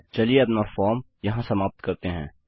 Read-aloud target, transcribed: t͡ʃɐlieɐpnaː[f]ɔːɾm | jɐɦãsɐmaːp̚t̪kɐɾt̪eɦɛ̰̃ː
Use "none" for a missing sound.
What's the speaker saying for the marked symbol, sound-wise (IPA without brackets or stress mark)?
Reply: f